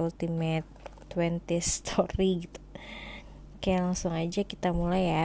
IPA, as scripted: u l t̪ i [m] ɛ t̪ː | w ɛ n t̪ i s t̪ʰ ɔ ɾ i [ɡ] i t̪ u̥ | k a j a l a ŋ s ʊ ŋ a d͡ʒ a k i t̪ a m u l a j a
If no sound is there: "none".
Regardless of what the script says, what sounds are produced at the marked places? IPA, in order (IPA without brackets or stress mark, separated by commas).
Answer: m, ɡ